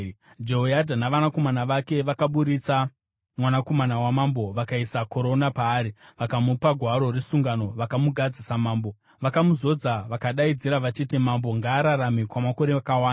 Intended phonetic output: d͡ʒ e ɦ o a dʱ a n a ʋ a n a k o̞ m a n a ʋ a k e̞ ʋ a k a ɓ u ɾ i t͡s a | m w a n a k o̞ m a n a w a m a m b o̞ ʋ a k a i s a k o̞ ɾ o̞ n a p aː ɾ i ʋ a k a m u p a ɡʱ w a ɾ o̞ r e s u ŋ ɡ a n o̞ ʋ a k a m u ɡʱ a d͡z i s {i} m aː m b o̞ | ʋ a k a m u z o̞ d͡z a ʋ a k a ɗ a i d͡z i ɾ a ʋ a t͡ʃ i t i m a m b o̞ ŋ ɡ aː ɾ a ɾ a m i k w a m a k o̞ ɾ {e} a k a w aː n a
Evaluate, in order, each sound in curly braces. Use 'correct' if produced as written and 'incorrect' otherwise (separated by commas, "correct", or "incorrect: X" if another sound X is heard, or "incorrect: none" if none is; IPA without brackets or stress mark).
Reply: incorrect: a, correct